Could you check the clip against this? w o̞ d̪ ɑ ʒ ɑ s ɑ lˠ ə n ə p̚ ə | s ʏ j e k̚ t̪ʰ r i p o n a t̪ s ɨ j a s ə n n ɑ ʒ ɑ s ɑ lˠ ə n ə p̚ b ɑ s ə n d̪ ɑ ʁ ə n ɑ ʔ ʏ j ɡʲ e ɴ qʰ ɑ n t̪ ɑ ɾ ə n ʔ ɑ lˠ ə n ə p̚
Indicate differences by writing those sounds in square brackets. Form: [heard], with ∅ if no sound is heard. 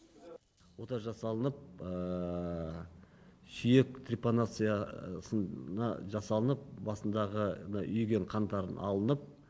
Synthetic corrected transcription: w o̞ [t̪] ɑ ʒ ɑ s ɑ lˠ ə n ə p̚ ə | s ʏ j e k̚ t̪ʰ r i p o n a t̪ s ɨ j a s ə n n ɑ ʒ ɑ s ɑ lˠ ə n ə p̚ b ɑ s ə n d̪ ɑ ʁ ə n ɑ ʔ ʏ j ɡʲ e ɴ qʰ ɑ n t̪ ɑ ɾ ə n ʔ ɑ lˠ ə n ə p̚